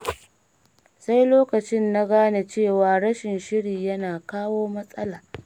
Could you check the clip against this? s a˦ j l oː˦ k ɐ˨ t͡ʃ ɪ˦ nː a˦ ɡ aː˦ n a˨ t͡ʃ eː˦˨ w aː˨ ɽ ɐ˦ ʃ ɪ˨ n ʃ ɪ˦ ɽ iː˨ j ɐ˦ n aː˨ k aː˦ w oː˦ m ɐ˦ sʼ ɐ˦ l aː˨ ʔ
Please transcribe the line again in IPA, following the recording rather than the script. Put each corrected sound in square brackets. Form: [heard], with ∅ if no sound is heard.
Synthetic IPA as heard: s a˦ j l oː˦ k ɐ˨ t͡ʃ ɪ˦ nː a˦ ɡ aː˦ n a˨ t͡ʃ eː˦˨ w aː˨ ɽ ɐ˦ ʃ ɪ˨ n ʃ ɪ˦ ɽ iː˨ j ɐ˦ n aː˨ k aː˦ w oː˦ m ɐ˦ sʼ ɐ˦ l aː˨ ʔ